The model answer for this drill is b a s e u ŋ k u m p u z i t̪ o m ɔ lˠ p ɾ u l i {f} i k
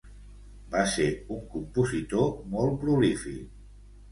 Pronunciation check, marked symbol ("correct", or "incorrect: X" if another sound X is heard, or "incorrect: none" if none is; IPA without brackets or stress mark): correct